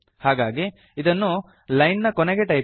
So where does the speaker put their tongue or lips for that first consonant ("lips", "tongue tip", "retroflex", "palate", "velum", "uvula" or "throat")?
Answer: throat